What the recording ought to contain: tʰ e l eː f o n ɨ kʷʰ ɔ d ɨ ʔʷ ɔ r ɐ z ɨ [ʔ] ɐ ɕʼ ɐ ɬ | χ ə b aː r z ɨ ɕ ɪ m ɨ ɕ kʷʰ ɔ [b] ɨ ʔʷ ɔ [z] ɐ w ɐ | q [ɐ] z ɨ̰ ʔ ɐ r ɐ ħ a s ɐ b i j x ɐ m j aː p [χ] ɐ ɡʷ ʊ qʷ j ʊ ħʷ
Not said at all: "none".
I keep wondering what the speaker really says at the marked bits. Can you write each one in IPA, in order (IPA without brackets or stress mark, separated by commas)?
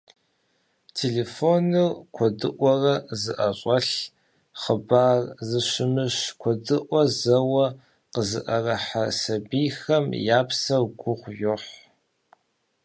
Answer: ʔ, d, z, ə, s